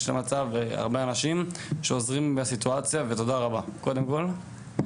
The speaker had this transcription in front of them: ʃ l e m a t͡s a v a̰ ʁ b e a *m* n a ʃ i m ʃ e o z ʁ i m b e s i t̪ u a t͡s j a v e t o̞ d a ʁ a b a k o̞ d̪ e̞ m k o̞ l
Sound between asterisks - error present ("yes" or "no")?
yes